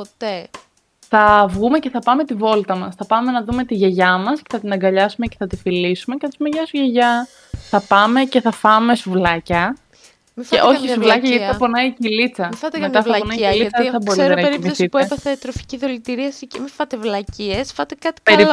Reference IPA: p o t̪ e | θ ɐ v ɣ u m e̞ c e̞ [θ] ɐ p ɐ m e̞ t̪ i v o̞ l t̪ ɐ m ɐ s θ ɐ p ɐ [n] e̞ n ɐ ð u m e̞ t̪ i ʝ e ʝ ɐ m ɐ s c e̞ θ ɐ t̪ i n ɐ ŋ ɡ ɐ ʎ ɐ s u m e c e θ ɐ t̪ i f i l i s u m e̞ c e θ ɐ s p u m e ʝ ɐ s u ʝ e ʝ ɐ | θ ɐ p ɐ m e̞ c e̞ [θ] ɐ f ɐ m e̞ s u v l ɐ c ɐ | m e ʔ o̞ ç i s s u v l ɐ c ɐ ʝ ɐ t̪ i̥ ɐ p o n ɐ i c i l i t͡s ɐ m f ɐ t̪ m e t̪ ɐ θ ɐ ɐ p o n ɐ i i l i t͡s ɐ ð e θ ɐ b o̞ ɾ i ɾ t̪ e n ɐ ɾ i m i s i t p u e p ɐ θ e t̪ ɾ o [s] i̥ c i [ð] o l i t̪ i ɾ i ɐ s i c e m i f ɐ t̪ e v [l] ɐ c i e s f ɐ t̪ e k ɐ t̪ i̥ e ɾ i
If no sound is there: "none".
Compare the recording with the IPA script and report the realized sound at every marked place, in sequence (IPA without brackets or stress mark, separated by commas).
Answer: θ, m, θ, f, ð, l